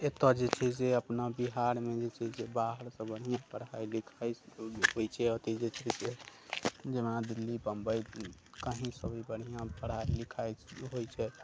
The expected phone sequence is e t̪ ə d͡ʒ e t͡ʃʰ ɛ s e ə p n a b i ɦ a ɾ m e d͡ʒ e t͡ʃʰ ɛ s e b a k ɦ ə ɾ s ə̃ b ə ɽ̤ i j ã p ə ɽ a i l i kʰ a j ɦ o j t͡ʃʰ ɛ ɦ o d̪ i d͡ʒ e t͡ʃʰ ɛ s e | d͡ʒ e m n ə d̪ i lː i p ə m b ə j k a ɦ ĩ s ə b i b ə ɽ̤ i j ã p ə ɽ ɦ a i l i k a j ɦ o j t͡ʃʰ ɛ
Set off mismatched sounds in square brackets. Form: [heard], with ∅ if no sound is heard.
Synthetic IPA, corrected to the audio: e t̪ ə d͡ʒ e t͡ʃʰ ɛ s e ə p n a b i ɦ a ɾ m e d͡ʒ e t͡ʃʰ ɛ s e b a [∅] ɦ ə ɾ s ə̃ b ə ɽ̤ i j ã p ə ɽ a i l i kʰ a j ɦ o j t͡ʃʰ ɛ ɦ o [t̪] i d͡ʒ e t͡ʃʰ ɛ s e | d͡ʒ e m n [a] d̪ i lː i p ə m b ə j k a ɦ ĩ s ə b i b ə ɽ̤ i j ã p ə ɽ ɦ a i l i [kʰ] a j ɦ o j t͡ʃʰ ɛ